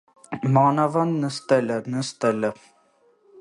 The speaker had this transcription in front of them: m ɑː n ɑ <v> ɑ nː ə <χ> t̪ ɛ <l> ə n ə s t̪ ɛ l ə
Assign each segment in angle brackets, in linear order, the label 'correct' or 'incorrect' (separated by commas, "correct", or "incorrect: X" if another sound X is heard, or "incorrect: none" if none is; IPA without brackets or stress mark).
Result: correct, incorrect: s, correct